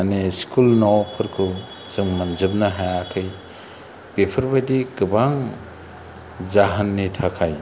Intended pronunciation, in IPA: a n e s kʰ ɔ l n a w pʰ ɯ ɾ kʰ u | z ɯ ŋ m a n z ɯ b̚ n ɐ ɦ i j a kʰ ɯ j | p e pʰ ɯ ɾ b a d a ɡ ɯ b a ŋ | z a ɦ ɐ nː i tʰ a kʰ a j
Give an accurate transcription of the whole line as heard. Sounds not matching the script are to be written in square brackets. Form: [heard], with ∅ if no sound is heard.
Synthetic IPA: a n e s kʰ [u] l n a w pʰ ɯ ɾ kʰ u | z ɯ ŋ m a n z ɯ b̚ n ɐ ɦ [a] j a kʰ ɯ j | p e pʰ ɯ ɾ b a d [i] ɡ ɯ b a ŋ | z a ɦ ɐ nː i tʰ a kʰ a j